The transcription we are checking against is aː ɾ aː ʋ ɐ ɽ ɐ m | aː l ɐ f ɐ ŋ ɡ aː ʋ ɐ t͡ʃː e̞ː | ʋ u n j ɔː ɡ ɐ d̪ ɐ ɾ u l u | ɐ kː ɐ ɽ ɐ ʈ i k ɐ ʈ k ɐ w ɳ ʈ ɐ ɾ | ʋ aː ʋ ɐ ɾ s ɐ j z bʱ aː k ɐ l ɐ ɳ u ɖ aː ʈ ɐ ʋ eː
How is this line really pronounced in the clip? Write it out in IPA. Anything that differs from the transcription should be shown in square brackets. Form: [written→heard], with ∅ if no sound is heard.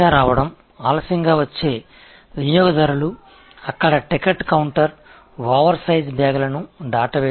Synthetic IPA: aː ɾ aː ʋ ɐ ɽ ɐ m | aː l ɐ [f→s] ɐ ŋ ɡ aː ʋ ɐ t͡ʃː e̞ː | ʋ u n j ɔː ɡ ɐ d̪ ɐ ɾ u l u | ɐ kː ɐ ɽ ɐ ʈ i k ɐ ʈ k ɐ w ɳ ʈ ɐ ɾ | ʋ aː ʋ ɐ ɾ s ɐ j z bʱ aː [k→ɡ] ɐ l ɐ [ɳ→n] u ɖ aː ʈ ɐ ʋ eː